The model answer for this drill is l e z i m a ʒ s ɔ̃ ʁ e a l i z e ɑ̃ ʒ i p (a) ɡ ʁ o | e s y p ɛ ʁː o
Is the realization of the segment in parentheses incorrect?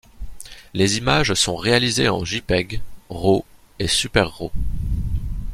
yes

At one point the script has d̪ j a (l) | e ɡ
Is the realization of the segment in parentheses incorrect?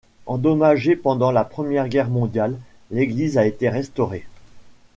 yes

